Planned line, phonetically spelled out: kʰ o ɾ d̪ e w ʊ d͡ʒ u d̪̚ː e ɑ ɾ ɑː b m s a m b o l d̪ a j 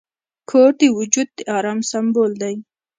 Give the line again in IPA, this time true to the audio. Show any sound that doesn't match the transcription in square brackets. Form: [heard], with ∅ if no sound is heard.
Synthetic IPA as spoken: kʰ o ɾ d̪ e w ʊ d͡ʒ u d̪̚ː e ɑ ɾ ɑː [∅] m s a m b o l d̪ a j